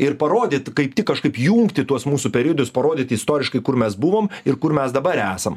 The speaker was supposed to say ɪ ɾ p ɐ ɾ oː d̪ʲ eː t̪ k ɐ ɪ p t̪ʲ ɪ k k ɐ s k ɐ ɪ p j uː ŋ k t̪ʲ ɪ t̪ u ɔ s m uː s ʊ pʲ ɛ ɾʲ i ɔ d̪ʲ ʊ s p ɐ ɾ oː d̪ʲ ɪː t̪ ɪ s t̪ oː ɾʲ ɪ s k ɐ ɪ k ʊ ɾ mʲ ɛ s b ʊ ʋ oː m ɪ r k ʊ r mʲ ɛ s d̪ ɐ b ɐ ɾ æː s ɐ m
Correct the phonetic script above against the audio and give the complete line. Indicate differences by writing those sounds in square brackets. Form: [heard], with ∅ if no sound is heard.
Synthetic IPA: ɪ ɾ p ɐ ɾ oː d̪ʲ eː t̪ k ɐ ɪ p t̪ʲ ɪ k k ɐ [ʃ] k ɐ ɪ p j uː ŋ k t̪ʲ ɪ t̪ u ɔ s m uː s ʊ pʲ ɛ ɾʲ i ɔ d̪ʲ ʊ s p ɐ ɾ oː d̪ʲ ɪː t̪ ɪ s t̪ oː ɾʲ ɪ [ʃ] k ɐ ɪ k ʊ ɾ mʲ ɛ s b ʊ ʋ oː m ɪ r k ʊ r mʲ ɛ s d̪ ɐ b ɐ ɾ æː s ɐ m